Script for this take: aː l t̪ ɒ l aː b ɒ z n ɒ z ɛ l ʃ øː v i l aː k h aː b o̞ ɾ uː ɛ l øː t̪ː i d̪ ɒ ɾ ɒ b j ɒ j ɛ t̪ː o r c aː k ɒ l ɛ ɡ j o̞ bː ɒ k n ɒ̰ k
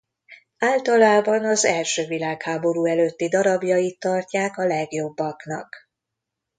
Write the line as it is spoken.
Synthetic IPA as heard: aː l t̪ ɒ l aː b ɒ n ɒ z ɛ l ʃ øː v i l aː k h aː b o̞ ɾ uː ɛ l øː t̪ː i d̪ ɒ ɾ ɒ b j ɒ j i t̪ː ɒ r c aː k ɒ l ɛ ɡ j o̞ bː ɒ k n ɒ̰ k